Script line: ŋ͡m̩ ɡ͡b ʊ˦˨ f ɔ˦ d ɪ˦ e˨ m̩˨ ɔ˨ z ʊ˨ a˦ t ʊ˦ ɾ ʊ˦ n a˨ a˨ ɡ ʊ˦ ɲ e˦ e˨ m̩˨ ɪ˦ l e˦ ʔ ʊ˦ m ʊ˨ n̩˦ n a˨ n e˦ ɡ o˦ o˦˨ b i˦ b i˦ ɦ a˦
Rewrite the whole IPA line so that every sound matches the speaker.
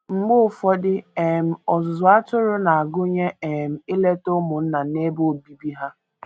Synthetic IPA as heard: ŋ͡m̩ ɡ͡b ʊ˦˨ f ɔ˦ d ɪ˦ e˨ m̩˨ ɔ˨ z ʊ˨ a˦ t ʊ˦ ɾ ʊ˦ n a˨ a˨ ɡ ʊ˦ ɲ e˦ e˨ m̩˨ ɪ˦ l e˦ t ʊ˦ m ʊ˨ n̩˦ n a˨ n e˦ b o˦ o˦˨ b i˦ b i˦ ɦ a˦